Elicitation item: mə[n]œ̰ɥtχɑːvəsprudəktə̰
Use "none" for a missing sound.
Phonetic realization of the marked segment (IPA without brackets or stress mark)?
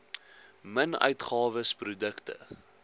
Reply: n